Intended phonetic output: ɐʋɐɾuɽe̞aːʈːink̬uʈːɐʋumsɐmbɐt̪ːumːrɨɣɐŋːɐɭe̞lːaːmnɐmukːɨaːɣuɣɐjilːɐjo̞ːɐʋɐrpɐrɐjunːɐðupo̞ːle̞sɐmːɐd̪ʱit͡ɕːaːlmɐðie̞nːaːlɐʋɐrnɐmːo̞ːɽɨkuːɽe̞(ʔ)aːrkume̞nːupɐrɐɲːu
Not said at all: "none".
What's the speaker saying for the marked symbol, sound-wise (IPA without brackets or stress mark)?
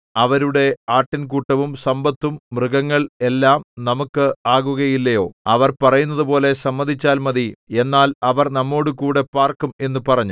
p